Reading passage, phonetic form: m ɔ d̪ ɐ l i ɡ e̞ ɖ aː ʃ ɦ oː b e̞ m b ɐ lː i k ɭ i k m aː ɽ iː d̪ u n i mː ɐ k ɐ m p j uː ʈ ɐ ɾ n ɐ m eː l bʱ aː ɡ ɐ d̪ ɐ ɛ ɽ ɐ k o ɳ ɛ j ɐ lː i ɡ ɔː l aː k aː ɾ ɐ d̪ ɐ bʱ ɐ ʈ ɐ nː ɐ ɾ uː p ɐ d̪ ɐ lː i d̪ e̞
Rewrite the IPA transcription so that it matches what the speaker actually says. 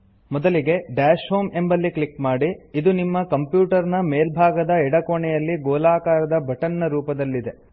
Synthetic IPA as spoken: m ɔ d̪ ɐ l i ɡ e̞ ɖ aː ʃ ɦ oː m e̞ m b ɐ lː i k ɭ i k m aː ɽ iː d̪ u n i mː ɐ k ɐ m p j uː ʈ ɐ ɾ n ɐ m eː l bʱ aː ɡ ɐ d̪ ɐ ɛ ɽ ɐ k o ɳ ɛ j ɐ lː i ɡ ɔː l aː k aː ɾ ɐ d̪ ɐ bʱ ɐ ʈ ɐ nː ɐ ɾ uː p ɐ d̪ ɐ lː i d̪ e̞